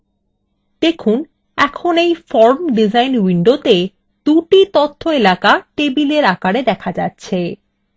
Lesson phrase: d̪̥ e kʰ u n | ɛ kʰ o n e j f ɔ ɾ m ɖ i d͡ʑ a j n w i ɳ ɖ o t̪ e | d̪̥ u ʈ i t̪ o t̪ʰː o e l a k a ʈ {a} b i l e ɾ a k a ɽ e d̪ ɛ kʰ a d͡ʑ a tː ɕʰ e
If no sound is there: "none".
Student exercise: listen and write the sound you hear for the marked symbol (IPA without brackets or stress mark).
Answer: e